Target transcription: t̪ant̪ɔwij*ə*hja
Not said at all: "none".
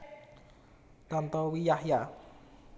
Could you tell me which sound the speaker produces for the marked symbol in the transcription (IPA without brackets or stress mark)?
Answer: a